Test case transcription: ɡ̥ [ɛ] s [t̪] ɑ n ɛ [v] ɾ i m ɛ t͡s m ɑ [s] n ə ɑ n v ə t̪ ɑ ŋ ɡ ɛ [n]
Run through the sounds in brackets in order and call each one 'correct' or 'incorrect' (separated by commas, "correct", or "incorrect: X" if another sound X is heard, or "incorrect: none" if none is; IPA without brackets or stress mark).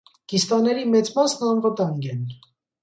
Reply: incorrect: i, correct, incorrect: none, correct, correct